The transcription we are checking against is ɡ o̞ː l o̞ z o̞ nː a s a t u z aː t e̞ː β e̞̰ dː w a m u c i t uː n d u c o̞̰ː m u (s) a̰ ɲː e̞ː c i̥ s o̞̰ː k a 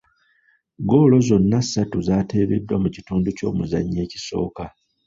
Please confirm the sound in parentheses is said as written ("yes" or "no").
no